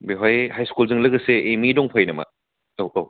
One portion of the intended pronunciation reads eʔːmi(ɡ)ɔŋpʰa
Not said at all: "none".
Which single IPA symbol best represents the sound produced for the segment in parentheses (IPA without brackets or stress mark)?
d